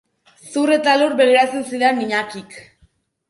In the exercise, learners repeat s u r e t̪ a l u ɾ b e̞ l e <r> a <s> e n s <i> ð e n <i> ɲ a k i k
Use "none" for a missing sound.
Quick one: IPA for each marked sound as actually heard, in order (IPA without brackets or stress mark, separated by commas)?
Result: ɾ, t͡s, i, i